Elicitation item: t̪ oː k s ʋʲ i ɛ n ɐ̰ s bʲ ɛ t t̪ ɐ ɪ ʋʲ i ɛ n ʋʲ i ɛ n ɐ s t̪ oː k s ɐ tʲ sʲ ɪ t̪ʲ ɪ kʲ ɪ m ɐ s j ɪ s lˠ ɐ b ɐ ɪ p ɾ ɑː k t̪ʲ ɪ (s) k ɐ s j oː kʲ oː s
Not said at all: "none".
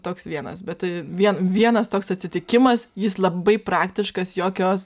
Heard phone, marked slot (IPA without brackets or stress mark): ʃ